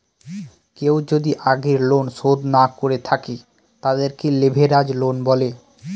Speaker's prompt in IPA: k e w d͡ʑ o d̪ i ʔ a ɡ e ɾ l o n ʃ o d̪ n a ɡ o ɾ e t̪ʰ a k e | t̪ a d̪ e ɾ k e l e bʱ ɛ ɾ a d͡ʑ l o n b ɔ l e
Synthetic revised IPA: k e w d͡ʑ o d̪ i ʔ a ɡ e ɾ l o n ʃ o d̪ n a k o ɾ e t̪ʰ a k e | t̪ a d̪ e ɾ k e l e bʱ e ɾ a d͡ʑ l o n b ɔ l e